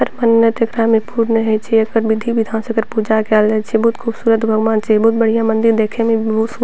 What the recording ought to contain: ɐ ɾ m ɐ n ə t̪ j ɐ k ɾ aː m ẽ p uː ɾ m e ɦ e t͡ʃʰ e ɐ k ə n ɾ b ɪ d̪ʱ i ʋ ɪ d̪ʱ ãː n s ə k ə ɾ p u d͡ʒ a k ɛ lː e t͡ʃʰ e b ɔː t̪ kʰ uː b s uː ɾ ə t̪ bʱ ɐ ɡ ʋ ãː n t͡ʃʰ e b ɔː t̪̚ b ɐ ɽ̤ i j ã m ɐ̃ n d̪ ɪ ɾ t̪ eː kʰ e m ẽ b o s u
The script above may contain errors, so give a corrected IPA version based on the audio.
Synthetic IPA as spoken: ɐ ɾ m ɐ n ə t̪ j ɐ k ɾ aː m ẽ p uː ɾ n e ɦ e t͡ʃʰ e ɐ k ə ɾ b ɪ d̪ʱ i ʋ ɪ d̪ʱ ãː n s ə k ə ɾ p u d͡ʒ a k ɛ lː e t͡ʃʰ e b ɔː t̪ kʰ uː b s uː ɾ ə t̪ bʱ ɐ ɡ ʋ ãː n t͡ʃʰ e b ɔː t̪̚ b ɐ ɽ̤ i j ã m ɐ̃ n d̪ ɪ ɾ d̪ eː kʰ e m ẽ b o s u